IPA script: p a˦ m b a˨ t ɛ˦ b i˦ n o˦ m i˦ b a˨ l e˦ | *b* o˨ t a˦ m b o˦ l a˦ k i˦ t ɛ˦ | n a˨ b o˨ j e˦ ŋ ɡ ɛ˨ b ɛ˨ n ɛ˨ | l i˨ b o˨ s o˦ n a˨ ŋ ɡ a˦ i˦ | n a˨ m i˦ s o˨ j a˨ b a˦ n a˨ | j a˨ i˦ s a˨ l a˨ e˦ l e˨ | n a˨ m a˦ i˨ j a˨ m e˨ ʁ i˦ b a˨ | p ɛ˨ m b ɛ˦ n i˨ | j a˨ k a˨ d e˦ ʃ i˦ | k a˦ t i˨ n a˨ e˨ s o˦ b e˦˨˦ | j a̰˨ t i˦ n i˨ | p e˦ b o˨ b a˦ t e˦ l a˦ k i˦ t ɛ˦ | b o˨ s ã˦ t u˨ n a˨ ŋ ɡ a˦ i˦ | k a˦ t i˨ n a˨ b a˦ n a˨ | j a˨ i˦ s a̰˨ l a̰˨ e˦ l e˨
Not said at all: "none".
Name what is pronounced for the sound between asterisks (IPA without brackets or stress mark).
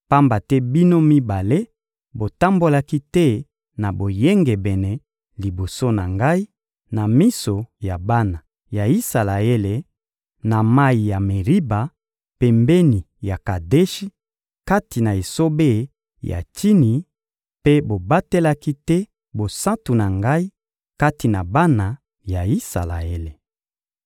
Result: b